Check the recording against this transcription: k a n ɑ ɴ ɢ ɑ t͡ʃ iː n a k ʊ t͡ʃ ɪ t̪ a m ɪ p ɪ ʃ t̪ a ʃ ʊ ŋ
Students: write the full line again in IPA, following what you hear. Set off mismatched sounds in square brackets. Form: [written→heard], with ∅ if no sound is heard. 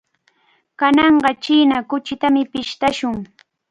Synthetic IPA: k a n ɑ ɴ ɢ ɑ t͡ʃ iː n a k ʊ t͡ʃ ɪ t̪ a m ɪ p ɪ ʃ t̪ a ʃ ʊ ŋ